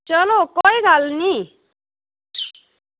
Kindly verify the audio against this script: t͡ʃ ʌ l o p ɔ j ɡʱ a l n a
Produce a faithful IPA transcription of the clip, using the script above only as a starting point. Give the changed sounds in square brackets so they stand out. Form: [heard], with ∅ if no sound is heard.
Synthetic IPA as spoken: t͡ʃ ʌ l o [k] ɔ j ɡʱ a l n [i]